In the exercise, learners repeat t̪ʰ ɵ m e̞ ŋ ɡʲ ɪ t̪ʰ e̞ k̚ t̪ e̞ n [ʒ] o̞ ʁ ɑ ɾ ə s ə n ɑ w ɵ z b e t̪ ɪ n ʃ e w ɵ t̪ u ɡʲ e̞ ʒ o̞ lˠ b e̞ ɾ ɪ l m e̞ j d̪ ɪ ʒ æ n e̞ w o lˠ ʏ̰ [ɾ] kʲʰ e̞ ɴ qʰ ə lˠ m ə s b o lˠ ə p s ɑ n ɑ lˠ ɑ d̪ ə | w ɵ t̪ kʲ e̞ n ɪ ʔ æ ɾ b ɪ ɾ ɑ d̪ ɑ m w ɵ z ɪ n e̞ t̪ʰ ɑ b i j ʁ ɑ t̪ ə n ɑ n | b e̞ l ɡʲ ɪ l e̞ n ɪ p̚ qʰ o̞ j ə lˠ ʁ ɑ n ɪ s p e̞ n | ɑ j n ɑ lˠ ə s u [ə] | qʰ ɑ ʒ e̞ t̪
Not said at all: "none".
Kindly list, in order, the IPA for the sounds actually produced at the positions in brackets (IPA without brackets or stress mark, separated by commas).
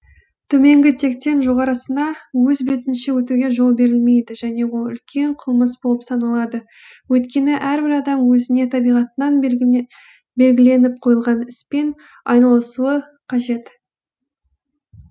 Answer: ʒ, l, ə